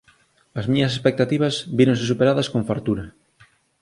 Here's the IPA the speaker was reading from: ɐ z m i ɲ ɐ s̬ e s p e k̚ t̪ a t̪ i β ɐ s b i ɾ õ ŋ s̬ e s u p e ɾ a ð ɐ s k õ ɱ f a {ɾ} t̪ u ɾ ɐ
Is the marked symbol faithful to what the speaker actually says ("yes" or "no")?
yes